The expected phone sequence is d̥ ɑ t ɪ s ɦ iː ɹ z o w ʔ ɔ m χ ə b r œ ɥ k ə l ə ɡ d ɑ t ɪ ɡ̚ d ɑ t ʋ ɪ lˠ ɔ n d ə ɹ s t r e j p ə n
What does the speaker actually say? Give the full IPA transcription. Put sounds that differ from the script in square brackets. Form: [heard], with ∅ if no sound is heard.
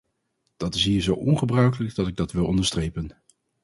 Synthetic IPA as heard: d̥ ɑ t ɪ s ɦ iː ɹ z o w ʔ ɔ [n] χ ə b r œ ɥ k ə l ə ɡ d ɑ t ɪ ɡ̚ d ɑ t ʋ ɪ lˠ ɔ n d ə ɹ s t r e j p ə n